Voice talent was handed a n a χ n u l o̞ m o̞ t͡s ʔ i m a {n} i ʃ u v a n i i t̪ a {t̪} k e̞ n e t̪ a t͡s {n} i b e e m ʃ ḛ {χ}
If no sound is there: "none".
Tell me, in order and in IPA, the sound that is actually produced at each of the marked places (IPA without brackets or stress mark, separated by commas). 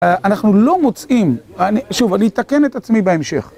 n, none, m, χ